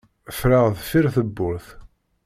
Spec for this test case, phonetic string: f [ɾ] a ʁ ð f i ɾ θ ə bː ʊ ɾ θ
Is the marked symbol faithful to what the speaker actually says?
yes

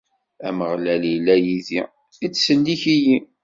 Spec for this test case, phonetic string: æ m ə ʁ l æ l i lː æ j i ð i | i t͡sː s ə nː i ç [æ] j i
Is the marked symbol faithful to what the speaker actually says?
no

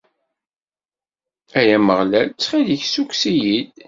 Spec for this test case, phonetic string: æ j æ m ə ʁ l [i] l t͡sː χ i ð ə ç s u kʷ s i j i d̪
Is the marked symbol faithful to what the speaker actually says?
no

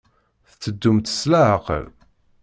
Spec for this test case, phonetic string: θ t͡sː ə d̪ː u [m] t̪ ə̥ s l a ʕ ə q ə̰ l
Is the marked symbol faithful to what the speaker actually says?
yes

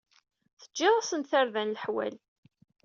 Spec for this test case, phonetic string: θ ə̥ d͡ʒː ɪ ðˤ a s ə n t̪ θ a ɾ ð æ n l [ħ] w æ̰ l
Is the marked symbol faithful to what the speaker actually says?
yes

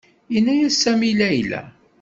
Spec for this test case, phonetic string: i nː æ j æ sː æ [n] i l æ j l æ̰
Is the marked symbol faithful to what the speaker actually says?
no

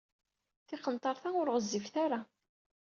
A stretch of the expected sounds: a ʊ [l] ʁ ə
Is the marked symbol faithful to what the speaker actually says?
no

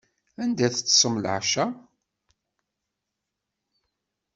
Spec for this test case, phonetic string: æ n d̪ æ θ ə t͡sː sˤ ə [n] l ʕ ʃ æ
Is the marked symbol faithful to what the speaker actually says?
no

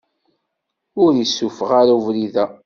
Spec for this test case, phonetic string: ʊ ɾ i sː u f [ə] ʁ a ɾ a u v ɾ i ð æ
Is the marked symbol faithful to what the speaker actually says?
yes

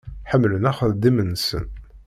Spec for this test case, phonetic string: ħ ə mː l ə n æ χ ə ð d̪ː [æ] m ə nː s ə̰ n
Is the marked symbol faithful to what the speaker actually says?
no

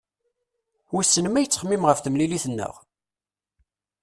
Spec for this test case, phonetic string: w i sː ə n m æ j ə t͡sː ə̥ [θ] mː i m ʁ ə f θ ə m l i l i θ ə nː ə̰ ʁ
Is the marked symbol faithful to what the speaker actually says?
no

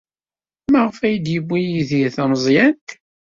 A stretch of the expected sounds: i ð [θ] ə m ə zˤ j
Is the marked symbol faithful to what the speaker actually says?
yes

